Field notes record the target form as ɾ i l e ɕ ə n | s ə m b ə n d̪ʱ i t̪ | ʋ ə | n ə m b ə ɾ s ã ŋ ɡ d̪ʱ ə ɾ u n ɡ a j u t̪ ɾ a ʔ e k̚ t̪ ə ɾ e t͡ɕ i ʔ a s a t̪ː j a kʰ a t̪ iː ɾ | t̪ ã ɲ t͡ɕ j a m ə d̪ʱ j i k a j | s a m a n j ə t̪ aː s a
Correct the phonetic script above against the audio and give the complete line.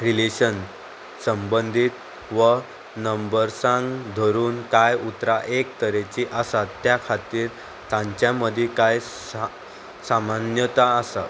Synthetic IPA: ɾ i l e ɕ ə n | s ə m b ə n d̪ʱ i t̪ | ʋ ə | n ə m b ə ɾ s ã ŋ ɡ d̪ʱ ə ɾ uː n k a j u t̪ ɾ a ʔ e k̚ t̪ ə ɾ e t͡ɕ i ʔ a s a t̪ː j a kʰ a t̪ iː ɾ | t̪ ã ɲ t͡ɕ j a m ə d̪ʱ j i k a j | s a m a n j ə t̪ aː s a

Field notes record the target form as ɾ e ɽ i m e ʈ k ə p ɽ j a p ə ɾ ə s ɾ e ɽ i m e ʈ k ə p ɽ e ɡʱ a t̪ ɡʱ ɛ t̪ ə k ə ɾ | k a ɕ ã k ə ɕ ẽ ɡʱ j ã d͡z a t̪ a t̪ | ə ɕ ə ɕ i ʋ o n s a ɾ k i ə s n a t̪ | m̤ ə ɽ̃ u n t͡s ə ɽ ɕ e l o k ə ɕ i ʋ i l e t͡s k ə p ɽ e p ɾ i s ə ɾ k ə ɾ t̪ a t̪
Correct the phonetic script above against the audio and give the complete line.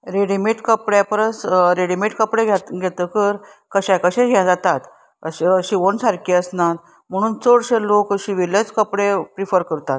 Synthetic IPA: ɾ e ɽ i m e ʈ k ə p ɽ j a p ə ɾ ə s ɾ e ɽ i m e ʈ k ə p ɽ e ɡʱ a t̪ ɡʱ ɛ t̪ ə k ə ɾ | k ə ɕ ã k ə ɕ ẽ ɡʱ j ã d͡z a t̪ a t̪ | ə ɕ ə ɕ i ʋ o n s a ɾ k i ə s n a t̪ | m̤ ə ɽ̃ uː n t͡s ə ɽ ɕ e l o k ə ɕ i ʋ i l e t͡s k ə p ɽ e p ɾ i f ə ɾ k ə ɾ t̪ a t̪

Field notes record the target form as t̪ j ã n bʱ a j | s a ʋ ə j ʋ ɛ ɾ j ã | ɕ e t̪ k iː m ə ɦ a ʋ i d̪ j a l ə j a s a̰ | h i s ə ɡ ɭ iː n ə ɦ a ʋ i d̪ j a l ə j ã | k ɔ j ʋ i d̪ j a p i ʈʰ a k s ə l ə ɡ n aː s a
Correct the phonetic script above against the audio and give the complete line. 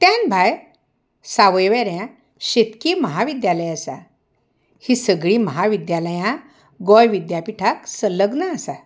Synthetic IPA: t̪ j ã n bʱ a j | s a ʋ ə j ʋ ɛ ɾ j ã | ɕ e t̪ k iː m ə ɦ a ʋ i d̪ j a l ə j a s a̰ | h i s ə ɡ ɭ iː m ə ɦ a ʋ i d̪ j a l ə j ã | ɡ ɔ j ʋ i d̪ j a p i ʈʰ a k s ə l ə ɡ n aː s a

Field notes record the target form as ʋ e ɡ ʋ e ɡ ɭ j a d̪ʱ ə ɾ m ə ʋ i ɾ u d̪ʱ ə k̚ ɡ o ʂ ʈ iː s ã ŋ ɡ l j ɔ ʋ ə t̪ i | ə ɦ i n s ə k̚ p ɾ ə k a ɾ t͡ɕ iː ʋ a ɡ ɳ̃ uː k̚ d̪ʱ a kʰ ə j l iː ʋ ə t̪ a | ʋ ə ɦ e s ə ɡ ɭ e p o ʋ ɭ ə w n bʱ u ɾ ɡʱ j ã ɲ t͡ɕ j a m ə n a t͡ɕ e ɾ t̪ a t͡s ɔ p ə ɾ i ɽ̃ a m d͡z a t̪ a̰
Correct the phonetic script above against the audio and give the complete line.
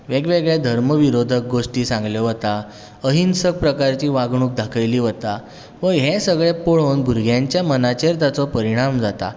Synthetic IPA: ʋ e ɡ ʋ e ɡ ɭ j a d̪ʱ ə ɾ m ə ʋ i ɾ o d̪ʱ ə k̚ ɡ o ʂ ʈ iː s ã ŋ ɡ l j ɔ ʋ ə t̪ a | ə ɦ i n s ə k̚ p ɾ ə k a ɾ t͡ɕ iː ʋ a ɡ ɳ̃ uː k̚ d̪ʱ a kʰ ə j l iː ʋ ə t̪ a | ʋ ə ɦ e s ə ɡ ɭ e p o ɭ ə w n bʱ u ɾ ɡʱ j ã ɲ t͡ɕ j a m ə n a t͡ɕ e ɾ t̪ a t͡s ɔ p ə ɾ i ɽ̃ a m d͡z a t̪ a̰

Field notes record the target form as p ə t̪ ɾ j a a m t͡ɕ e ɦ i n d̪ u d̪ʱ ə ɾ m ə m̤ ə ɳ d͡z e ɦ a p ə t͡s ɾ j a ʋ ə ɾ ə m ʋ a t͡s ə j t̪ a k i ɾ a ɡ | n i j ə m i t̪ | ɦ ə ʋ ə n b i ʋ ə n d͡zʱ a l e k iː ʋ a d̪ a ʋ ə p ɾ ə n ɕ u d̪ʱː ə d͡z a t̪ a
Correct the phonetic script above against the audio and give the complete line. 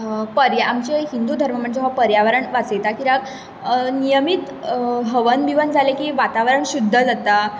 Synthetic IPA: p ə ɾ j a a m t͡ɕ e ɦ i n d̪ u d̪ʱ ə ɾ m ə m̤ ə ɳ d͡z e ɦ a p ə ɾ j a ʋ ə ɾ ə ɳ ʋ a t͡s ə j t̪ a k i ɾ a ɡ | n i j ə m i t̪ | ɦ ə ʋ ə n b i ʋ ə n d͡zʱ a l e k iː ʋ a t̪ a ʋ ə ɾ ə ɳ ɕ u d̪ʱː ə d͡z a t̪ a

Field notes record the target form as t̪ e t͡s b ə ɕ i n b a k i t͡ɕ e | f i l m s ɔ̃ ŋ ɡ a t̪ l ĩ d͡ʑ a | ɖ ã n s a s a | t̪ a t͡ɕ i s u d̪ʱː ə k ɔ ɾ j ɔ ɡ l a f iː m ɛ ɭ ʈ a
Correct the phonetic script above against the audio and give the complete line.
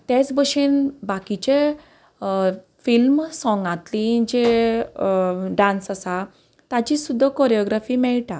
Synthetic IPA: t̪ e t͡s b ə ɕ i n b a k i t͡ɕ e | f i l m s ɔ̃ ŋ ɡ a t̪ l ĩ d͡ʑ e | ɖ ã n s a s a | t̪ a t͡ɕ i s u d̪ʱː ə k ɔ ɾ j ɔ ɡ ɾ a f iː m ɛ ɭ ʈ a

